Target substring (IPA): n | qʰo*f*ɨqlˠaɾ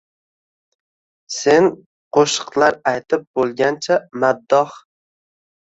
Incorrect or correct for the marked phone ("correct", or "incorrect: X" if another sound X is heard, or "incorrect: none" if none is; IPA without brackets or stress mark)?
incorrect: ʃ